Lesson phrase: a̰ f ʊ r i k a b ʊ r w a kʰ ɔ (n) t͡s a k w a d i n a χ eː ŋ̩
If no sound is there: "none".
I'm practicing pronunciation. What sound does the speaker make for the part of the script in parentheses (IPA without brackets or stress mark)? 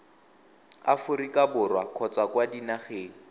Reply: none